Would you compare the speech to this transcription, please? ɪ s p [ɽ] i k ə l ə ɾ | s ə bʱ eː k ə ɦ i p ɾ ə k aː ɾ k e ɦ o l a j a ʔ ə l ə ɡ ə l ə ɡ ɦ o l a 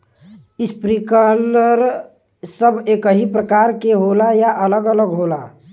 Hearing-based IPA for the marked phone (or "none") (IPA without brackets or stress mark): ɾ